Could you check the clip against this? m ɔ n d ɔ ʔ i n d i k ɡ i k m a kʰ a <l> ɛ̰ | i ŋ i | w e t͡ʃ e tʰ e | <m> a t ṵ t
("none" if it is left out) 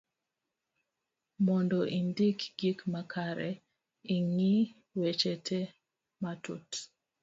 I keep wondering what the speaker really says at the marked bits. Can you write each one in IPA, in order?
ɾ, m

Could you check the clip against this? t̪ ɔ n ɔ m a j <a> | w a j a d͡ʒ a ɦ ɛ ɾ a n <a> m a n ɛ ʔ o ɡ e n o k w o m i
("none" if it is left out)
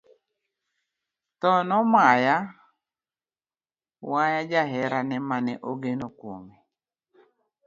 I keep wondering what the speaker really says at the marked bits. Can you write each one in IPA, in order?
a, ɛ

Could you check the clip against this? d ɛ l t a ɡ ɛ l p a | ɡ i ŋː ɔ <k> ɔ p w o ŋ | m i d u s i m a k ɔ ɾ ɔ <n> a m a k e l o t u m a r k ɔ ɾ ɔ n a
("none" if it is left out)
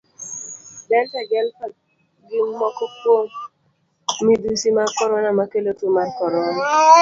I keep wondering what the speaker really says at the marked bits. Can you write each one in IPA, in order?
k, n

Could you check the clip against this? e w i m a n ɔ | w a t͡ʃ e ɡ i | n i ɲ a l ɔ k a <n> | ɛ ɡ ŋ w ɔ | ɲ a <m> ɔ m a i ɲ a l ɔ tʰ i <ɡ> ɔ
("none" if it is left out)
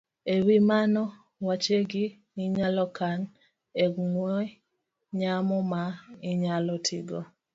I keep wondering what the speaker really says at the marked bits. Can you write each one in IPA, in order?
n, m, ɡ

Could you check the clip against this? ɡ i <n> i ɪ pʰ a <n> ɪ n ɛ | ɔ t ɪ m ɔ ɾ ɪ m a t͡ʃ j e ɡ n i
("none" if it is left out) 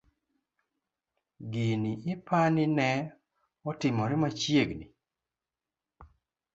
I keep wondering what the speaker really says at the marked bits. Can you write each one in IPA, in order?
n, n

